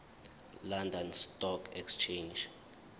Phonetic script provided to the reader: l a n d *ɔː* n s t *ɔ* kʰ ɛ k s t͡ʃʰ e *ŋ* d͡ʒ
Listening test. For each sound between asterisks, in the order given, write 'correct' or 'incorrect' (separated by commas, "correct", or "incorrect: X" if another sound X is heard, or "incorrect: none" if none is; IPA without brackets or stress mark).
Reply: incorrect: ɔ, correct, incorrect: n